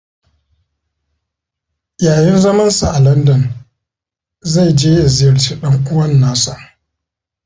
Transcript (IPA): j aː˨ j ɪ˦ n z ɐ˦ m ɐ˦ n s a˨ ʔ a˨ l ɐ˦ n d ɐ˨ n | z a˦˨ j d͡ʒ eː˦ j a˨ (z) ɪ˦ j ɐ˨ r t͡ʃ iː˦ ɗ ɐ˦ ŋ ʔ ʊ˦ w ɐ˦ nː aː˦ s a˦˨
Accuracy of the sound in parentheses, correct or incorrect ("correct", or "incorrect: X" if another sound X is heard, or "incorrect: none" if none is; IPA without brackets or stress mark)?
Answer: correct